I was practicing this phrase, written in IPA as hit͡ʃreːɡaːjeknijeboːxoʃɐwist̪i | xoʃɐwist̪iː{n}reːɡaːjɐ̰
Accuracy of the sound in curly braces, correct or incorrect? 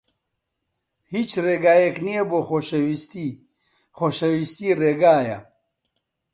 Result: incorrect